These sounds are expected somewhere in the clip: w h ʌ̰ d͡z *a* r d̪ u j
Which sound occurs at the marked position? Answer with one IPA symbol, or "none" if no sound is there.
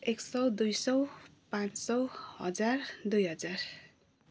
a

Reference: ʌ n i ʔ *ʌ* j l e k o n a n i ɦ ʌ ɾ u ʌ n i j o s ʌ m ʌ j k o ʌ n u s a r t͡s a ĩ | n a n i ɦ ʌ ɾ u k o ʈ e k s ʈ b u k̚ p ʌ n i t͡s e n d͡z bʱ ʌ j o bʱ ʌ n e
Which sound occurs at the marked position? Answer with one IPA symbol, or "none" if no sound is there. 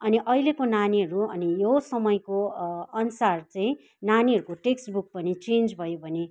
ʌ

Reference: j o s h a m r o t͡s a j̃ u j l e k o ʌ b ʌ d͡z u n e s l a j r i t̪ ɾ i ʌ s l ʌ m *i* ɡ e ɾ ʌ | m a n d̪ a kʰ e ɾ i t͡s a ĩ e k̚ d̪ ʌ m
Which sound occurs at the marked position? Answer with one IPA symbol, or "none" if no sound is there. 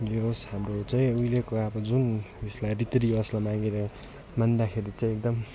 a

